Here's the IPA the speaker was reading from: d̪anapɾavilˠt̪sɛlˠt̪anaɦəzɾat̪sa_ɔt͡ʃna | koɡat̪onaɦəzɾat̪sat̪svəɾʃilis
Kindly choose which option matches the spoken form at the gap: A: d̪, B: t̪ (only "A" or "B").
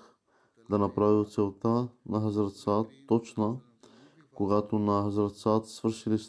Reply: B